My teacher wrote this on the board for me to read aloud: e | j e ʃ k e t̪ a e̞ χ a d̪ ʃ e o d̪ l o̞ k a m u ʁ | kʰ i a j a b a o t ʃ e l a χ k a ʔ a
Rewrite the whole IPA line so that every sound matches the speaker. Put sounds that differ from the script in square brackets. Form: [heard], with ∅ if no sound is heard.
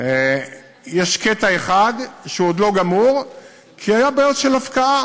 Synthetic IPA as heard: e | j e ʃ k e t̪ a e̞ χ a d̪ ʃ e o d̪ l o̞ [ɡ] a m u ʁ | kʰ i a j a b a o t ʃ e l a [f] k a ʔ a